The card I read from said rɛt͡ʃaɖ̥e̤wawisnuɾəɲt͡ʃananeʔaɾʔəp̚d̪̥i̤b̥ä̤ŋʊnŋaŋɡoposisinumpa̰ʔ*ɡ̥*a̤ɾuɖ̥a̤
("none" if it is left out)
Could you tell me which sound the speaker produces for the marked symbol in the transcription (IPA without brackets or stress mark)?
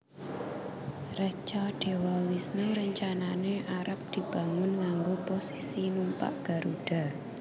ɡ̥